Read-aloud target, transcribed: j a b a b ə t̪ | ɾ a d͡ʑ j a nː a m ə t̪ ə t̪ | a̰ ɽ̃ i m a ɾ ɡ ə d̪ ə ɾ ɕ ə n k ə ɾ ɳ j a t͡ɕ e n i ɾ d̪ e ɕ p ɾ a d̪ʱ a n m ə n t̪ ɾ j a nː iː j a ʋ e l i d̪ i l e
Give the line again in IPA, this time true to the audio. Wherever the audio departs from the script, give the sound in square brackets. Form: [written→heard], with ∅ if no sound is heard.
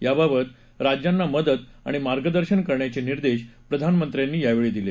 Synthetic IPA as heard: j a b a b ə t̪ | ɾ a d͡ʑ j a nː a m ə [t̪→d̪] ə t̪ | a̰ ɽ̃ i m a ɾ ɡ ə d̪ ə ɾ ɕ ə n k ə ɾ ɳ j a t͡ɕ e n i ɾ d̪ e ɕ p ɾ [a→ə] d̪ʱ a n m ə n t̪ ɾ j a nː iː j a ʋ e [l→ɭ] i d̪ i l e